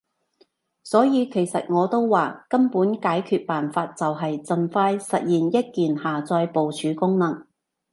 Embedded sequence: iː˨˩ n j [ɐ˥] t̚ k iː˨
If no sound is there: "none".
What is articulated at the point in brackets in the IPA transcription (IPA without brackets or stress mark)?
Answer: ɐ˥